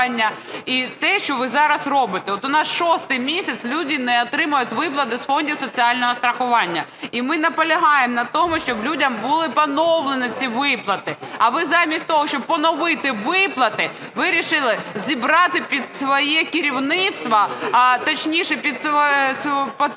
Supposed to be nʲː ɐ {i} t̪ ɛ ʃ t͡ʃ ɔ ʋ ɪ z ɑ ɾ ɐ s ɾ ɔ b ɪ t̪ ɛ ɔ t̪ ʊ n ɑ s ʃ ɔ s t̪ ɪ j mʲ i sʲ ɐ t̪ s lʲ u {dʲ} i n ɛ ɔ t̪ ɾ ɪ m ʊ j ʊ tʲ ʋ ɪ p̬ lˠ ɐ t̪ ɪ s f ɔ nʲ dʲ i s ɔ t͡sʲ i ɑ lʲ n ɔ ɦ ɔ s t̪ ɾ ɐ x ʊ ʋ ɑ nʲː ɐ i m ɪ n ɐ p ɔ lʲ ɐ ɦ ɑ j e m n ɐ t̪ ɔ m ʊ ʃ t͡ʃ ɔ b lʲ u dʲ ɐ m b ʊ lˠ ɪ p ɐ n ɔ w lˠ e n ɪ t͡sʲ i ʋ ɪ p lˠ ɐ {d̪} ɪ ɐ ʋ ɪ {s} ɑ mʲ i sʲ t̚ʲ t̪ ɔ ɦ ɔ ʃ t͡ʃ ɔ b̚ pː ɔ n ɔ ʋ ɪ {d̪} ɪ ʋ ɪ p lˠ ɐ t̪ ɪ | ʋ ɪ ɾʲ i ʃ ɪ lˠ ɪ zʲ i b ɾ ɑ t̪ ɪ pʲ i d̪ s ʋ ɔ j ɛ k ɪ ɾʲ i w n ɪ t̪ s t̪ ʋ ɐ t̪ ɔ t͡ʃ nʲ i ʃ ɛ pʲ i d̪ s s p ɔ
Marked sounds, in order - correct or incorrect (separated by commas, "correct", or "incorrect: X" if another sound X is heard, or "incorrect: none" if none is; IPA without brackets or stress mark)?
correct, correct, incorrect: t̪, incorrect: z, incorrect: t̪